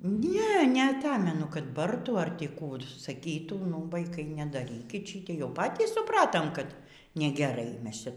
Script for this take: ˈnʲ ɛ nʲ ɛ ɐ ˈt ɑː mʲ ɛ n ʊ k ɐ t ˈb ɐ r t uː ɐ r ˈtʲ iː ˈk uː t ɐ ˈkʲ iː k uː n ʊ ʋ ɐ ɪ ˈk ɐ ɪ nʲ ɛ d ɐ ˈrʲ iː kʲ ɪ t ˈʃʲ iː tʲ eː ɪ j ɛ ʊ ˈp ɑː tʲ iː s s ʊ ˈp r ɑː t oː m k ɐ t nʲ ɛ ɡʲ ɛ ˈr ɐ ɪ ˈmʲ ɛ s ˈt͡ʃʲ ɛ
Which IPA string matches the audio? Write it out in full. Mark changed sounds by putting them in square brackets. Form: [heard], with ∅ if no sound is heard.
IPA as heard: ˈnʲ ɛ nʲ ɛ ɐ ˈt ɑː mʲ ɛ n ʊ k ɐ t ˈb ɐ r t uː ɐ r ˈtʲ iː ˈk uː [s] ɐ ˈkʲ iː [t] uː n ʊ ʋ ɐ ɪ ˈk ɐ ɪ nʲ ɛ d ɐ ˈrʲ iː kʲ ɪ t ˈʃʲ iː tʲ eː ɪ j ɛ ʊ ˈp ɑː tʲ iː s s ʊ ˈp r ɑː t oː m k ɐ t nʲ ɛ ɡʲ ɛ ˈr ɐ ɪ ˈmʲ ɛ s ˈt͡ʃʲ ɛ